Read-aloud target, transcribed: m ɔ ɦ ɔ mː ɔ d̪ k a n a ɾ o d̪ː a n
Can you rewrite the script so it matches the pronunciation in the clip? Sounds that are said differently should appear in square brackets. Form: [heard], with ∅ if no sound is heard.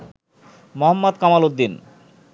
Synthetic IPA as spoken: m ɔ ɦ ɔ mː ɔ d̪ k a [m] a [l] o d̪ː [i] n